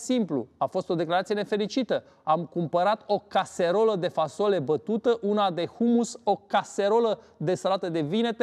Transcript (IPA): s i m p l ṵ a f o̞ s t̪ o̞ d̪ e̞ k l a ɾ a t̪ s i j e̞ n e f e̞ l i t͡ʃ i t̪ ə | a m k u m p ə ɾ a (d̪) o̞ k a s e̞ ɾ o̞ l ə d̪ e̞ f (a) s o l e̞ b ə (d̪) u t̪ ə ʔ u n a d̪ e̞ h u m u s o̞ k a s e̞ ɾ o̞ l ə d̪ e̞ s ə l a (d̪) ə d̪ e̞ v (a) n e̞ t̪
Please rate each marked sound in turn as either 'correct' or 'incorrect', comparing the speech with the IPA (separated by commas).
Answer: incorrect, correct, incorrect, incorrect, incorrect